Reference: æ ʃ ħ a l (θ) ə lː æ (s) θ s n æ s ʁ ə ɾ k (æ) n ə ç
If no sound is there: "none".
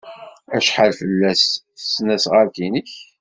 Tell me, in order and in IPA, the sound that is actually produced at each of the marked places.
f, s, i

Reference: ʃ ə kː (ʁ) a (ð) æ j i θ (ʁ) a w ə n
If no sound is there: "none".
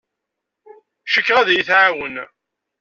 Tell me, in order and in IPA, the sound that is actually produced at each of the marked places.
ʁ, ð, ʕ

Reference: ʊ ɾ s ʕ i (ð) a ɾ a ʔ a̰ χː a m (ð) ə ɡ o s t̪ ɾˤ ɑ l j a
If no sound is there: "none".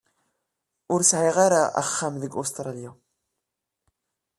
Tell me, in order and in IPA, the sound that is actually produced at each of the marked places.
ʁ, ð

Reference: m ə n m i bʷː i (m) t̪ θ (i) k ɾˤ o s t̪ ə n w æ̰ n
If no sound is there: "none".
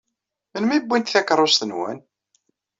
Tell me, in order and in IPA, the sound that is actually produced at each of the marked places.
n, æ

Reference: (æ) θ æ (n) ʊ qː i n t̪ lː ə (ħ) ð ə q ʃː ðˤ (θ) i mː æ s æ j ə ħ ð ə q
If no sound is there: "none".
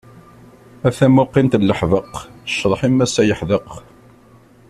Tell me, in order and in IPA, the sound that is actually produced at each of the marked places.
æ, m, ħ, ħ

